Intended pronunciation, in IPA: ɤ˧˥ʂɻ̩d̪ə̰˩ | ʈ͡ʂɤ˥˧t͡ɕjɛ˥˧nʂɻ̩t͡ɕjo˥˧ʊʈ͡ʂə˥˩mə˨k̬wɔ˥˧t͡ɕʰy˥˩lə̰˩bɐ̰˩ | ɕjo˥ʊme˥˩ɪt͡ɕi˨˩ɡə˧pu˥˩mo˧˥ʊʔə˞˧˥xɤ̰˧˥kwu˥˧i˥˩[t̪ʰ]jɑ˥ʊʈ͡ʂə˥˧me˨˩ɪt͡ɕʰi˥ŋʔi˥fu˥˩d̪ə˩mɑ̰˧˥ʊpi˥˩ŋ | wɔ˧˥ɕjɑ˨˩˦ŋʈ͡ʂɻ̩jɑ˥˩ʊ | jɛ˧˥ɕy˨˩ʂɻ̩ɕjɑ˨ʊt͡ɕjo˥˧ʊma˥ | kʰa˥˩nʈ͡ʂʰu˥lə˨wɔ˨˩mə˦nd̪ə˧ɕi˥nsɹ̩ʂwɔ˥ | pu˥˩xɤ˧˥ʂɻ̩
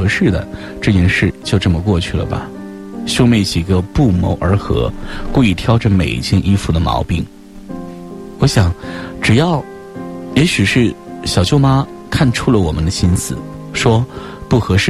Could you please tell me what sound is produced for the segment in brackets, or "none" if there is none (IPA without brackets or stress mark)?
t̪ʰ